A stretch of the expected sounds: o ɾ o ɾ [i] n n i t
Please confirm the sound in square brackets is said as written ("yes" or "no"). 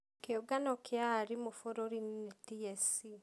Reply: yes